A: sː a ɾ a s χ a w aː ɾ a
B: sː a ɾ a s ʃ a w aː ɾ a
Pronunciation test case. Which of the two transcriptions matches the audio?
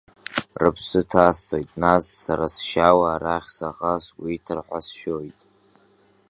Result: B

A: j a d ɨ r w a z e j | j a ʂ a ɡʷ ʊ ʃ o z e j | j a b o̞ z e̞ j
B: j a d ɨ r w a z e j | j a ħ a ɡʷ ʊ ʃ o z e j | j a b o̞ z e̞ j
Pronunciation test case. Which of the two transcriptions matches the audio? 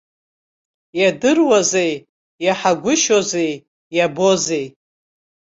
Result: B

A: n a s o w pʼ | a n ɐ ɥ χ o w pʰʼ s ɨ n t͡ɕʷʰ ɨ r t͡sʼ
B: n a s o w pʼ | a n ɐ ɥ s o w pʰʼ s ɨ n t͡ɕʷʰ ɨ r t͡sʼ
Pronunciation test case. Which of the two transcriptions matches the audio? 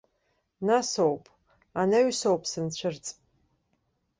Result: B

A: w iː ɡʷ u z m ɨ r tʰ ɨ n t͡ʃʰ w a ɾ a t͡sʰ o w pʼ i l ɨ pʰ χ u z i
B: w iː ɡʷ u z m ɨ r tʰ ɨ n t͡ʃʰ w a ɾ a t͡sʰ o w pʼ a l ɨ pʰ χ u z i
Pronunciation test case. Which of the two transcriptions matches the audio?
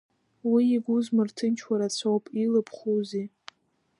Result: A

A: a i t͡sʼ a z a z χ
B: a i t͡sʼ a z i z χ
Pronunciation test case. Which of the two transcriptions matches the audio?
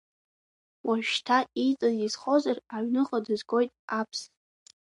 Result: B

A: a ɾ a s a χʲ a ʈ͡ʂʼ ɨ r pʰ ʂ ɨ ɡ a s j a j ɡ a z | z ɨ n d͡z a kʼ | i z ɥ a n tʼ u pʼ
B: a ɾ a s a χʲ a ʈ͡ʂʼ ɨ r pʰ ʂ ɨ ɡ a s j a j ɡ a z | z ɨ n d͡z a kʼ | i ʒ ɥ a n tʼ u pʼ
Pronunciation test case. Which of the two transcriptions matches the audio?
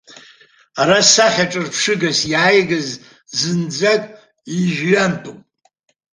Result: B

